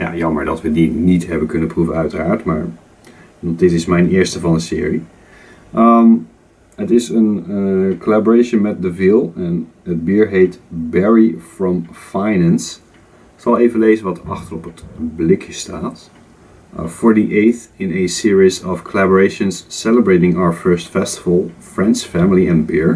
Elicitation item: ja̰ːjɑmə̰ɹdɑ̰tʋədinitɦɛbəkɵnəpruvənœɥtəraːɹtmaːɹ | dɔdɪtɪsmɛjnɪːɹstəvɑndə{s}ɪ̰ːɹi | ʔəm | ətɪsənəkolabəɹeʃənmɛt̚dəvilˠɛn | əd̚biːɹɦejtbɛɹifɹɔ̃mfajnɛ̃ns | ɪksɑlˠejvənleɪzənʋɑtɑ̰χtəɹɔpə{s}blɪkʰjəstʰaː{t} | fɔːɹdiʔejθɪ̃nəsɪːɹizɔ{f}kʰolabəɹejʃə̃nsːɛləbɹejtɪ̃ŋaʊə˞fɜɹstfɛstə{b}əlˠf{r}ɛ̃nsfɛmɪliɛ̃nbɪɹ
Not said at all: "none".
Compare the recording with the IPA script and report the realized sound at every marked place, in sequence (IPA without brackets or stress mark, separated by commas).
s, t, t, f, v, ɹ